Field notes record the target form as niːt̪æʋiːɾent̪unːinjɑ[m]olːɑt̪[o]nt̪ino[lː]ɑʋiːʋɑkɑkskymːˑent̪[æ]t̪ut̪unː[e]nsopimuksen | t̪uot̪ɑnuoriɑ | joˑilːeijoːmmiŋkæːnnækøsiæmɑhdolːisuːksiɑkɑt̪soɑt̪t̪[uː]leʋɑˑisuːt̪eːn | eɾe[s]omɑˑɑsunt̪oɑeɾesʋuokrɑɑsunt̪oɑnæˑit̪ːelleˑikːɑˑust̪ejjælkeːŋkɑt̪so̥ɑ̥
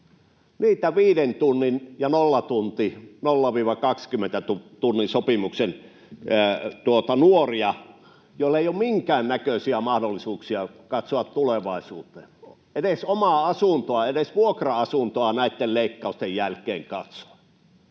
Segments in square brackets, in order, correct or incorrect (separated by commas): incorrect, incorrect, correct, correct, incorrect, incorrect, correct